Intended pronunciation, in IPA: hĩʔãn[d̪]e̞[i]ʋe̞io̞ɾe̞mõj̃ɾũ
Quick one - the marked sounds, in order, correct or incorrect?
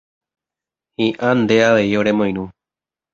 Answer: correct, incorrect: a

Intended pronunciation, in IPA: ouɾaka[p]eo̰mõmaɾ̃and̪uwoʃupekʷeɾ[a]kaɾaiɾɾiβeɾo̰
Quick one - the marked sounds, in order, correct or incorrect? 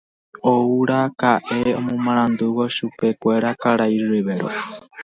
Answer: incorrect: ʔ, correct

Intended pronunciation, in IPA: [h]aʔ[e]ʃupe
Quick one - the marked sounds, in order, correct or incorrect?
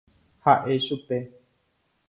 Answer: correct, correct

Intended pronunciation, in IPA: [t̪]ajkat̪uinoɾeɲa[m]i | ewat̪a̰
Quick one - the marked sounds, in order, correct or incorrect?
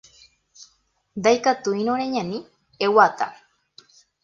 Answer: incorrect: d̪, incorrect: n

